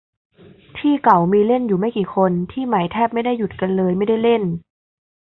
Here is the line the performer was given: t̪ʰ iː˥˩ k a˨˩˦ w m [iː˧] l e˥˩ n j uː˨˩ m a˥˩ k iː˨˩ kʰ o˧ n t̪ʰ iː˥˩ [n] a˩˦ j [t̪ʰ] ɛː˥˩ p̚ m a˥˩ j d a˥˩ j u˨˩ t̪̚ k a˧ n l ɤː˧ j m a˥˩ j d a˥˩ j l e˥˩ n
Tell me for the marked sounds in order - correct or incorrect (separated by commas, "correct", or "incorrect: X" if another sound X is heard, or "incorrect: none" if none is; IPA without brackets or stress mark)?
correct, incorrect: m, correct